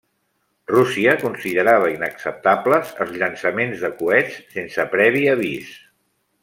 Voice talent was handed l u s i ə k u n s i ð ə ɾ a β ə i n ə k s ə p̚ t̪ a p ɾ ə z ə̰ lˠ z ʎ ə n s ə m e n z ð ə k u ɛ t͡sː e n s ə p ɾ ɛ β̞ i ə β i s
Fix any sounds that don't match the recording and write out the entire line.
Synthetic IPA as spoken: r u s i ə k u n s i ð ə ɾ a β ə i n ə k s ə p̚ t̪ a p l ə z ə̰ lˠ z ʎ ə n s ə m e n z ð ə k u ɛ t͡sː e n s ə p ɾ ɛ β̞ i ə β i s